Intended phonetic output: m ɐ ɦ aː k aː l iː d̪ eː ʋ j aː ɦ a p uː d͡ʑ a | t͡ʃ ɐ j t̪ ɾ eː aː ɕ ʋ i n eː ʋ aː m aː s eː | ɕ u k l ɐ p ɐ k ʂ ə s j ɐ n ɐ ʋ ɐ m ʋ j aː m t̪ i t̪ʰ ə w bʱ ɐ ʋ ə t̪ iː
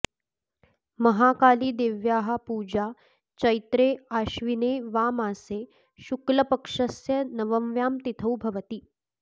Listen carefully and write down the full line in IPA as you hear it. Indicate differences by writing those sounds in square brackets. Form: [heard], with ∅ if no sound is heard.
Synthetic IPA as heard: m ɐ ɦ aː k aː l iː d̪ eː ʋ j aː ɦ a p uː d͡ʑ a | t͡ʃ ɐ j t̪ ɾ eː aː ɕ ʋ i n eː ʋ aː m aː s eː | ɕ u k l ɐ p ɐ k ʂ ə s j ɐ n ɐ ʋ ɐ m ʋ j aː m t̪ i t̪ʰ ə w bʱ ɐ ʋ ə t̪ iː